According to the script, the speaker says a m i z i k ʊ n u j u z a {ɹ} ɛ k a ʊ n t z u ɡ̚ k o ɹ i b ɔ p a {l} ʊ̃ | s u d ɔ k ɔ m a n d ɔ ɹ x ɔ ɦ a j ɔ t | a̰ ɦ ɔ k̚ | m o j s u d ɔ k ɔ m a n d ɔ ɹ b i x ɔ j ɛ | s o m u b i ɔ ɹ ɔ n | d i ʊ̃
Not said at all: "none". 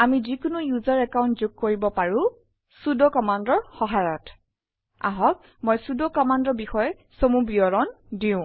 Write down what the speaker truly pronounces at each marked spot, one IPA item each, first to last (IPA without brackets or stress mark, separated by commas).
ɹ, ɹ